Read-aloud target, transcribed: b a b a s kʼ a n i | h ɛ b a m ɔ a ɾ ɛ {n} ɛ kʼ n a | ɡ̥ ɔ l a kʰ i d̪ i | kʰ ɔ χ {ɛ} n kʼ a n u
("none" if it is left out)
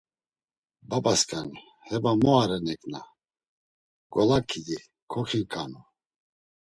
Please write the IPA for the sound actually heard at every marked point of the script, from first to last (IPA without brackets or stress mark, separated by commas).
n, i